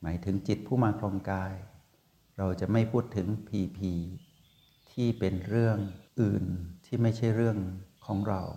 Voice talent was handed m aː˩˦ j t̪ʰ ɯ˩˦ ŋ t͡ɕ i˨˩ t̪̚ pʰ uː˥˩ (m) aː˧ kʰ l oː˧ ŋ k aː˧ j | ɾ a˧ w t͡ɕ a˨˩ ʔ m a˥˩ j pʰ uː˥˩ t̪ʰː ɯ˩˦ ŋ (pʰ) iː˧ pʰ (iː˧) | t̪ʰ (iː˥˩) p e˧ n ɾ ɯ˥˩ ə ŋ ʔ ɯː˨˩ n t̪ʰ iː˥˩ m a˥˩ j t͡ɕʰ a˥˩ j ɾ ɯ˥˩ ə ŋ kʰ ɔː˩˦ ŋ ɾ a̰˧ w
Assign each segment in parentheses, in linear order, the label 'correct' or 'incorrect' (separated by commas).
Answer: correct, correct, correct, correct